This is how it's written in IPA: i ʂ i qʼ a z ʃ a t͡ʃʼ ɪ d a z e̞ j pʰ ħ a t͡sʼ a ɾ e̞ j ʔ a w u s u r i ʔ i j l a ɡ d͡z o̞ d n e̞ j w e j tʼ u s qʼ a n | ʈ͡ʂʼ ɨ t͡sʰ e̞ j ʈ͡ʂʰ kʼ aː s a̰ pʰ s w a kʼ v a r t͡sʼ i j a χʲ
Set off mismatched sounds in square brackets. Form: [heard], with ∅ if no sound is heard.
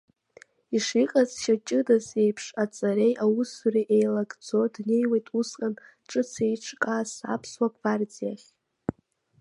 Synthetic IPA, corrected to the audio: i ʂ i qʼ a z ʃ a t͡ʃʼ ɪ d a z e̞ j pʰ [ʂ] a t͡sʼ a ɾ e̞ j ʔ a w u s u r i ʔ [e] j l a ɡ d͡z o̞ d n e̞ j w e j tʼ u s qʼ a n | ʈ͡ʂʼ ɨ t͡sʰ e̞ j ʈ͡ʂʰ kʼ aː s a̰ pʰ s w a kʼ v a r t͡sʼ i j a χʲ